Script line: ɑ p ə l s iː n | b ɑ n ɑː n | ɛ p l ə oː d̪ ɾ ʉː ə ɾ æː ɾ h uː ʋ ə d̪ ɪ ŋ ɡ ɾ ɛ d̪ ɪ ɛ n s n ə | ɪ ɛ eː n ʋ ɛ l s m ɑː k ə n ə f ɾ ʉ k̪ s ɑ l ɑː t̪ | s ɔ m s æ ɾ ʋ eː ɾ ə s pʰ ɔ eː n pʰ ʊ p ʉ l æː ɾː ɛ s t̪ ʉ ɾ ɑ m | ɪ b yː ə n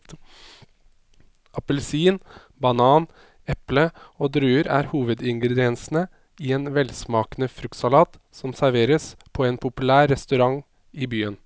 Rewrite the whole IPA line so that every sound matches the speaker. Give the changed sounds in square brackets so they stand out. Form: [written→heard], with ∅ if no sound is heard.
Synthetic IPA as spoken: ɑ p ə l s iː n | b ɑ n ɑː n | ɛ p l ə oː d̪ ɾ ʉː ə ɾ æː ɾ h uː ʋ ə d̪ ɪ ŋ ɡ ɾ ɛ d̪ ɪ ɛ n s n ə | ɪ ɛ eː n ʋ ɛ l s m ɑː k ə n ə f ɾ ʉ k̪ s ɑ l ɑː t̪ | s ɔ m s æ ɾ ʋ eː ɾ ə s pʰ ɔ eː n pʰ ʊ p ʉ l æː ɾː ɛ s t̪ ʉ ɾ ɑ [m→ŋ] | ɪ b yː ə n